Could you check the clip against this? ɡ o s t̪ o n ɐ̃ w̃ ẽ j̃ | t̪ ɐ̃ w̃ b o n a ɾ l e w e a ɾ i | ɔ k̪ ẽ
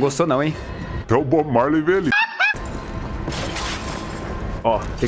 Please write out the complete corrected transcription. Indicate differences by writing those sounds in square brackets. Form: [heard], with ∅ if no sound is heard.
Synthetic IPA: ɡ o s t̪ o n ɐ̃ w̃ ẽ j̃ | t̪ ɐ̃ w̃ b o [m] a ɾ l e [v] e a [l] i | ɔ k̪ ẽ